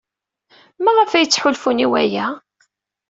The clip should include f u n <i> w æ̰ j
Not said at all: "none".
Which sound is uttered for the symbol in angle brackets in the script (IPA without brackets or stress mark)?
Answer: i